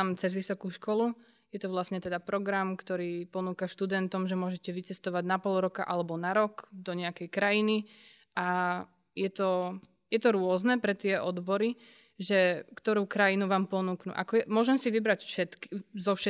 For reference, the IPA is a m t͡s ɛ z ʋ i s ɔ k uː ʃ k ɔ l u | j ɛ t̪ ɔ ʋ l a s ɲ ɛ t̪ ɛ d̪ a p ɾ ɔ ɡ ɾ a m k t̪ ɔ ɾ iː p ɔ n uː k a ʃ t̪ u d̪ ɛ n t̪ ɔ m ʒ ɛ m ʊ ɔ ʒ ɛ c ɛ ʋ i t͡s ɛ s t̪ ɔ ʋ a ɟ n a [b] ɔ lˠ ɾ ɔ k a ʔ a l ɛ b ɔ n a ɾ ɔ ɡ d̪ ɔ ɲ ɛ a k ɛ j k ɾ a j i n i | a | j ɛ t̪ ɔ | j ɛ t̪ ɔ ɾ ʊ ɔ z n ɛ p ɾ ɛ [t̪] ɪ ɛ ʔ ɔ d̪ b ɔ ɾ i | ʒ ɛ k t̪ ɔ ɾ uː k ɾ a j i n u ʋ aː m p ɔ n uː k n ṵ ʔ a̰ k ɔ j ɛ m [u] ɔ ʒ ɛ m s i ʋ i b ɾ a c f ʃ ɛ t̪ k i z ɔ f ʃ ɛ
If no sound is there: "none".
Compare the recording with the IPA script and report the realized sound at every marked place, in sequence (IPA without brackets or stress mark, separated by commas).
p, t̪, ʊ